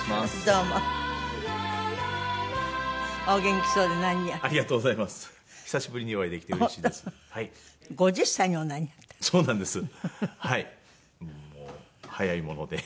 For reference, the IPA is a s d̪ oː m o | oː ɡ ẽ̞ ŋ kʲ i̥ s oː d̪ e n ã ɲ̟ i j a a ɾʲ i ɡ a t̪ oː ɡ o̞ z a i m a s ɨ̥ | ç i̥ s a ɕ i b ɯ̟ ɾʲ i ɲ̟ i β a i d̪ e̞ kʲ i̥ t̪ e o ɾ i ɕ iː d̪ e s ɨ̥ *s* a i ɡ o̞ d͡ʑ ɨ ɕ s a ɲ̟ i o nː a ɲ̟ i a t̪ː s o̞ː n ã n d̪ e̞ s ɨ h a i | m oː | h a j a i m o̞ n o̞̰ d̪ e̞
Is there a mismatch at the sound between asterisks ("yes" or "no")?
yes